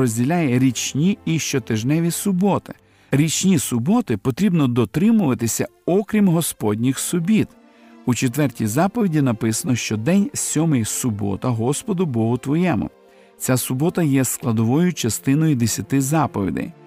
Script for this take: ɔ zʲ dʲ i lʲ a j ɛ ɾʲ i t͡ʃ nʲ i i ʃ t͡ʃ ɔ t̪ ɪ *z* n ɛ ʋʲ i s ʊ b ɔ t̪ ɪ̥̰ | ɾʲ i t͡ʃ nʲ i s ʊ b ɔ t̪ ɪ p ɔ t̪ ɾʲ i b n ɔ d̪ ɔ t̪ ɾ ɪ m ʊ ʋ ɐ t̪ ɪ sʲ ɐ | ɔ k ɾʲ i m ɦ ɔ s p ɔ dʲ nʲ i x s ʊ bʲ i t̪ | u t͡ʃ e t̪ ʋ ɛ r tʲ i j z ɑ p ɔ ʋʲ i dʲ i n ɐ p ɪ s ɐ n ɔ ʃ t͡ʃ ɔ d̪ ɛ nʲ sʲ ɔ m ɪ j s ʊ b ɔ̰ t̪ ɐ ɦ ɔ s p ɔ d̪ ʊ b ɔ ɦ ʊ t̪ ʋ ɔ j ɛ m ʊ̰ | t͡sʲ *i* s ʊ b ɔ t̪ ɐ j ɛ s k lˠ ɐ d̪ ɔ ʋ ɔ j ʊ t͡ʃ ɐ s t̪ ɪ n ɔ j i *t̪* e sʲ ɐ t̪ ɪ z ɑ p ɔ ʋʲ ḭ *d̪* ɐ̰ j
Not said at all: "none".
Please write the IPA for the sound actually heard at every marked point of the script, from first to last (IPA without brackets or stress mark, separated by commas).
ʒ, a, d̪, d̪